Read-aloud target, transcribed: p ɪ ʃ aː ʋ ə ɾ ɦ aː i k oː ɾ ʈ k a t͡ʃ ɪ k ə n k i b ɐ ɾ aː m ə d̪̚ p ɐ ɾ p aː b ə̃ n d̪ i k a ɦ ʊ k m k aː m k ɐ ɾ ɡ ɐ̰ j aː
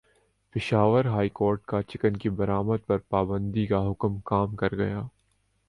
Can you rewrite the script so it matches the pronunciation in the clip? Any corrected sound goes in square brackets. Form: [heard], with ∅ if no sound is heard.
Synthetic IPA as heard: p ɪ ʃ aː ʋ ə ɾ ɦ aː i k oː ɾ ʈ k a t͡ʃ ɪ k ə n k i b ɐ ɾ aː m ə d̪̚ p ɐ ɾ p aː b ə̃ n d̪ i k a ɦ ʊ k m k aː m k ɐ ɾ ɡ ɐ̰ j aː

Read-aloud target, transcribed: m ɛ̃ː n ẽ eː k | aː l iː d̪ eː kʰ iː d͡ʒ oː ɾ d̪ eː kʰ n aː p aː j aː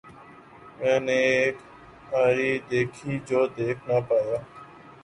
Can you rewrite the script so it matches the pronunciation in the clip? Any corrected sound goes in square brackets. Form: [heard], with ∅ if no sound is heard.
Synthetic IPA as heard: m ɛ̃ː n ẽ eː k | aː [ɾ] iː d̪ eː kʰ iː d͡ʒ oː [∅] d̪ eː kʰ n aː p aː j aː

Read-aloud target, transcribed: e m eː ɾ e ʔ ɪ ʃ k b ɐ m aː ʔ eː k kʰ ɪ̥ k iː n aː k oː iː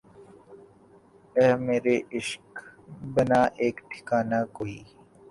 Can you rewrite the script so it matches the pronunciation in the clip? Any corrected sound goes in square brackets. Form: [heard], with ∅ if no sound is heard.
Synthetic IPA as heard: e m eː ɾ e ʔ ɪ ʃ k b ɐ [n] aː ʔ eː k [ʈʰ] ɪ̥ k [aː] n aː k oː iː

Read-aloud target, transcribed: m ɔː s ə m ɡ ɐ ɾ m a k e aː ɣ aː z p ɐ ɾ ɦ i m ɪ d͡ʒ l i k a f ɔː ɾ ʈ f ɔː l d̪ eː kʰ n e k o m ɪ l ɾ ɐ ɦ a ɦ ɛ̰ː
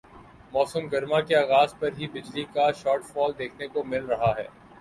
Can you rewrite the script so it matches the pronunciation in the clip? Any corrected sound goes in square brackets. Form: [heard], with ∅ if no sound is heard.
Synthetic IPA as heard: m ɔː s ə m ɡ ɐ ɾ m a k e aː ɣ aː z p ɐ ɾ ɦ i [b] ɪ d͡ʒ l i k a [ʃ] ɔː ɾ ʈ f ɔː l d̪ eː kʰ n e k o m ɪ l ɾ ɐ ɦ a ɦ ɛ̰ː

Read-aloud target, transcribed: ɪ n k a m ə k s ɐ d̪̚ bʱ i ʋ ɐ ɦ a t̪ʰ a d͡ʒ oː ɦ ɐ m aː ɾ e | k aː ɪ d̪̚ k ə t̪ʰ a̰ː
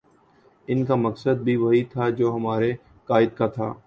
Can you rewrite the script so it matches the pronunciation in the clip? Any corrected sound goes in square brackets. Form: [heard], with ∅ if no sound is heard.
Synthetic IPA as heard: ɪ n k a m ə k s [ə] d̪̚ bʱ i ʋ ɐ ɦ [i] t̪ʰ a d͡ʒ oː ɦ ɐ m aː ɾ e | k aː ɪ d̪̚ k [a] t̪ʰ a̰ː

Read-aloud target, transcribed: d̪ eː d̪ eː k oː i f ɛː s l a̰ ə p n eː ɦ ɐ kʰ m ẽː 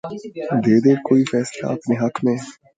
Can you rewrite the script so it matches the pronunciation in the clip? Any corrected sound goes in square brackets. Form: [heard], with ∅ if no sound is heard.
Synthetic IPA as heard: d̪ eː d̪ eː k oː i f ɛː s l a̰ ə p n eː ɦ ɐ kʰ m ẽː

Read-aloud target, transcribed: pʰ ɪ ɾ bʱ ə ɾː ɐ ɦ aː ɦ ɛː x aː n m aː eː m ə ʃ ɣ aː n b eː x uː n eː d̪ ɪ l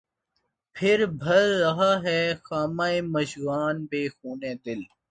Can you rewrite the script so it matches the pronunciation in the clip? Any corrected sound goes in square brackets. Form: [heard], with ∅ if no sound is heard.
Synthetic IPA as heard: pʰ ɪ ɾ bʱ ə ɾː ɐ ɦ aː ɦ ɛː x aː [∅] m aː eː m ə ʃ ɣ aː n b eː x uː n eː d̪ ɪ l

